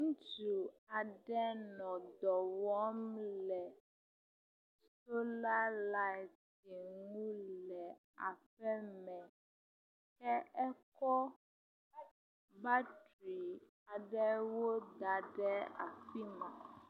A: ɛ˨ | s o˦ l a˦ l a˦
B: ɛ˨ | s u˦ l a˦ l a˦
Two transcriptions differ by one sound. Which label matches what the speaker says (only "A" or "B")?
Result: A